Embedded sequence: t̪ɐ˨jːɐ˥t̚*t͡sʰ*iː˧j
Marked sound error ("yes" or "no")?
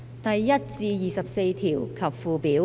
yes